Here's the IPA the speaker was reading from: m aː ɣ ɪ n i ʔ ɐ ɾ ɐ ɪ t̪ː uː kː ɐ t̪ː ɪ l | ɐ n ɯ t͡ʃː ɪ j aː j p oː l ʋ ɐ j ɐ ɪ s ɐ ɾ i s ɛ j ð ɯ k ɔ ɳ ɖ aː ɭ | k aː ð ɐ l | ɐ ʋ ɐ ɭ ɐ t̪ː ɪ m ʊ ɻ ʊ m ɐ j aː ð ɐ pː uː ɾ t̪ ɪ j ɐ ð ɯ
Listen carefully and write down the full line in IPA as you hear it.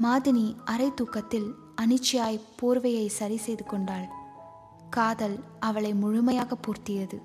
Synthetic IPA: m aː ð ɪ n i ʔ ɐ ɾ ɐ ɪ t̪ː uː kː ɐ t̪ː ɪ l | ɐ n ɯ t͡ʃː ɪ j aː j p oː ɾ ʋ ɐ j ɐ ɪ s ɐ ɾ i s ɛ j ð ɯ k ɔ ɳ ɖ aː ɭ | k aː ð ɐ l | ɐ ʋ ɐ ɭ ɐ ɪ m ʊ ɻ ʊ m ɐ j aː ɣ ɐ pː uː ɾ t̪ ɪ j ɐ ð ɯ